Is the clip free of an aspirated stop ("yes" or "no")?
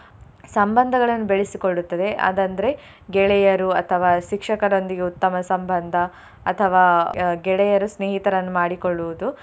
no